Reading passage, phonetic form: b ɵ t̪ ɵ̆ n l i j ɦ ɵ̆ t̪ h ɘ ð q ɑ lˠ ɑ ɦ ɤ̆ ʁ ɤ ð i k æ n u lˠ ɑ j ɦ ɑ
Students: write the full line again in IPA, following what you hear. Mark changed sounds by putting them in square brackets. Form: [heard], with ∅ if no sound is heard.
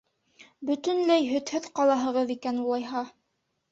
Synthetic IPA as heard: b ɵ t̪ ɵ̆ n l [æ] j ɦ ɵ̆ t̪ h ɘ ð q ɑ lˠ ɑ ɦ ɤ̆ ʁ ɤ ð i k æ n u lˠ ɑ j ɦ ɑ